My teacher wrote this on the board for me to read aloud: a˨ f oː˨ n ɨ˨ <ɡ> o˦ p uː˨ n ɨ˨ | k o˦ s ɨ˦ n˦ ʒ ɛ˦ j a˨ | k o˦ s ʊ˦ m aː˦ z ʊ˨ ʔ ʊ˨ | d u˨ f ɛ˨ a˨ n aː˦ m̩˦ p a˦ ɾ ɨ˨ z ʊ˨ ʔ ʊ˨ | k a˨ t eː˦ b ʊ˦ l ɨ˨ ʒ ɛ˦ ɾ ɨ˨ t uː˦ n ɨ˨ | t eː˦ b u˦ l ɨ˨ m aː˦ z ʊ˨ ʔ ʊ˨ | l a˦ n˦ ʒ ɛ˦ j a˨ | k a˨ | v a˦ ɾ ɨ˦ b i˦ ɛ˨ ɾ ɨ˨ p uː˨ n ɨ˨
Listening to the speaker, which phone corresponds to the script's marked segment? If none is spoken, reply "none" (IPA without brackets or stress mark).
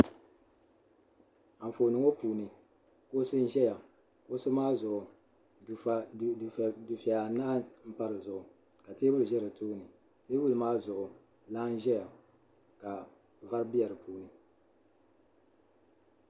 ŋ